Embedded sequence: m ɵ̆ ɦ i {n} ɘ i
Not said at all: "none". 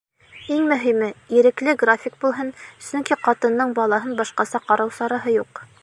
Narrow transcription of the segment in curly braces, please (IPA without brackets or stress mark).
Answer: m